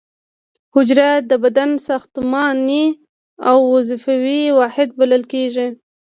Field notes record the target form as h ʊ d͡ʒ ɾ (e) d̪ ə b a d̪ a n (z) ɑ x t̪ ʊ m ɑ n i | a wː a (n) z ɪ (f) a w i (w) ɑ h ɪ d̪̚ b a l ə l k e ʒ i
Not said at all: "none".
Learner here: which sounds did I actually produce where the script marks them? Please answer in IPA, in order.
a, s, none, f, w

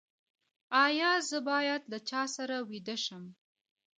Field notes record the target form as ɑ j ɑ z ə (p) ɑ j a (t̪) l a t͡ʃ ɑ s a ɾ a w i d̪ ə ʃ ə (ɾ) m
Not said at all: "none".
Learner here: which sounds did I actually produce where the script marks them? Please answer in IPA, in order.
b, d̪, none

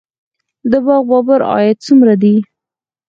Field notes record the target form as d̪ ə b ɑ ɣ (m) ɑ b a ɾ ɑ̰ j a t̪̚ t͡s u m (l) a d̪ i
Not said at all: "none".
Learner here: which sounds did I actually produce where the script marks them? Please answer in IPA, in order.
b, ɾ

